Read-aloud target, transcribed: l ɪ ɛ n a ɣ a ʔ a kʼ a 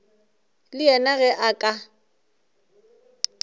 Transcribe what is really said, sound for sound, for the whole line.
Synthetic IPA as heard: l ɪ ɛ n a ɣ ɛ ʔ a kʼ a